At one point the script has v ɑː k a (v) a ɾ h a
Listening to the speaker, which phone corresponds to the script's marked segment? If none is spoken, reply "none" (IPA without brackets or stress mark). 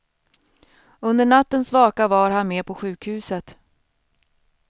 v